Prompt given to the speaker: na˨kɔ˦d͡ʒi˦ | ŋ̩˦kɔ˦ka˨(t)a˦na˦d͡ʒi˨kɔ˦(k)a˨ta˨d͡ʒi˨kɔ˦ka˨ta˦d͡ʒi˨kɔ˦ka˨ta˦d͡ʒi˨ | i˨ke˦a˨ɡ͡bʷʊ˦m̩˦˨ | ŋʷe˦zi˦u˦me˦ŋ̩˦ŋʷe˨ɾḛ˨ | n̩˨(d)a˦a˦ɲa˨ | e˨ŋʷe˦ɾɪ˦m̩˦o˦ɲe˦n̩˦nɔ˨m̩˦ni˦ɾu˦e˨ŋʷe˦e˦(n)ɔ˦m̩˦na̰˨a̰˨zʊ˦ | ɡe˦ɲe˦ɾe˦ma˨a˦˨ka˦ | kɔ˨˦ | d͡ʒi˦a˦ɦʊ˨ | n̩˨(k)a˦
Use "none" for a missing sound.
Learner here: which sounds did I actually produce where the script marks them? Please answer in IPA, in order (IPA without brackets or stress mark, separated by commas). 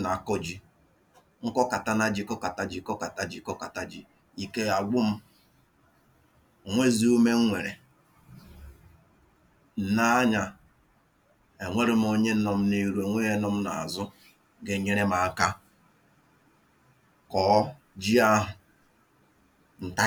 t, k, n, n, t